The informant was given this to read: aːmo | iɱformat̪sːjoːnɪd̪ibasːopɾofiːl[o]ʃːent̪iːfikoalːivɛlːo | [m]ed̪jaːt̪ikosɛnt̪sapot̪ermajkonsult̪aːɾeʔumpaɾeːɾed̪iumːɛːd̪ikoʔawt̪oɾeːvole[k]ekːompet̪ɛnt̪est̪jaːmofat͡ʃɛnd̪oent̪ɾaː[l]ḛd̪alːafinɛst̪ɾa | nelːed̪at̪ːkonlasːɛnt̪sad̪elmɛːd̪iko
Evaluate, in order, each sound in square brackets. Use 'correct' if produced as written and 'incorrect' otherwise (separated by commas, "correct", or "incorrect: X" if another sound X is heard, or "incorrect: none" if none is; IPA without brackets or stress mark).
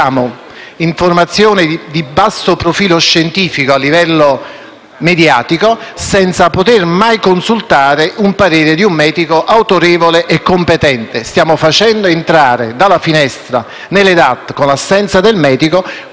correct, correct, incorrect: ʔ, incorrect: ɾ